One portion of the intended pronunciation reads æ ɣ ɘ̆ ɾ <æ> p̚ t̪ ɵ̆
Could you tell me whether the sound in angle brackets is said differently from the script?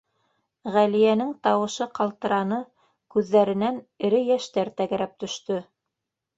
no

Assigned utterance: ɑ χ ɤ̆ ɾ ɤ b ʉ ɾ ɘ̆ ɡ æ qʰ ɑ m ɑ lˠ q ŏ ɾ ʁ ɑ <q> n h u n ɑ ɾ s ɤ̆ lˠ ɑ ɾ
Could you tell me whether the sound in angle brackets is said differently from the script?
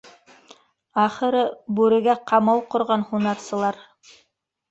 yes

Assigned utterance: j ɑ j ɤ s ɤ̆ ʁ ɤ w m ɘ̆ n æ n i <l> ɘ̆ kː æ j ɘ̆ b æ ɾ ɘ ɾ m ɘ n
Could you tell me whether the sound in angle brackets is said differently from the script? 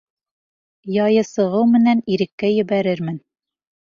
yes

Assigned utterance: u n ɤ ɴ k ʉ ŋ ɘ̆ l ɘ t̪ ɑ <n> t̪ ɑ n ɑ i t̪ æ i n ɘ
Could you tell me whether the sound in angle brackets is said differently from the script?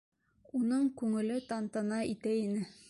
no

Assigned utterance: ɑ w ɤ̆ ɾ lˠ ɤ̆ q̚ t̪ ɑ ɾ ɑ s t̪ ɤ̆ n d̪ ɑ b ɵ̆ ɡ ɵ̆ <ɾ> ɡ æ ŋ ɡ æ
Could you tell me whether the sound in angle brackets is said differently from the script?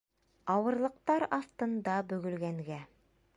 yes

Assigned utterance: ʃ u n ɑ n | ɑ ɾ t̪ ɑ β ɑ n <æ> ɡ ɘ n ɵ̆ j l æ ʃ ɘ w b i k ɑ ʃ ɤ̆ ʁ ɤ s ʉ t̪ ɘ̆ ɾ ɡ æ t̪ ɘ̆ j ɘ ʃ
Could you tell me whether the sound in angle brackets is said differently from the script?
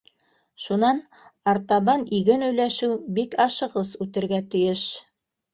yes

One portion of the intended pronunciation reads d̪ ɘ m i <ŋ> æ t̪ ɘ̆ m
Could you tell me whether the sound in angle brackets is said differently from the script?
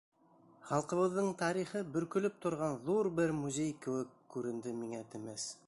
no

